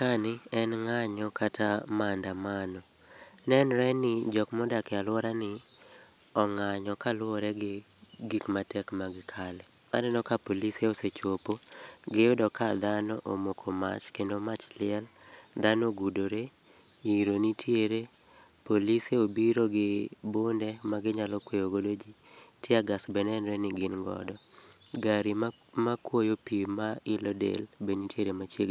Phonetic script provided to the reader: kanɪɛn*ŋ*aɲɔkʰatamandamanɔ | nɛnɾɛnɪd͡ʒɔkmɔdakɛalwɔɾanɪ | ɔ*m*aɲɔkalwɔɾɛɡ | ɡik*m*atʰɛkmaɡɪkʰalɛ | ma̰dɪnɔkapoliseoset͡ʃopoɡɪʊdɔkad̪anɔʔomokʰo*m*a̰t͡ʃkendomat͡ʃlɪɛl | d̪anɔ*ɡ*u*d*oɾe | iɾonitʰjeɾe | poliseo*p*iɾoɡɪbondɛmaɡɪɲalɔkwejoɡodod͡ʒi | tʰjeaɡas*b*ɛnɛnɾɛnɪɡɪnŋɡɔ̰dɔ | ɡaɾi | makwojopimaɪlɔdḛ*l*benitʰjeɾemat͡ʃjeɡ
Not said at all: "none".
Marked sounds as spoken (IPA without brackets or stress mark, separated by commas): ŋ, ŋ, m, m, ɡ, d, b, b, l